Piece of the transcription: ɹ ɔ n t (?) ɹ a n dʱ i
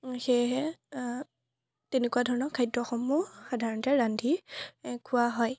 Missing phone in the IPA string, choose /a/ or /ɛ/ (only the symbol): ɛ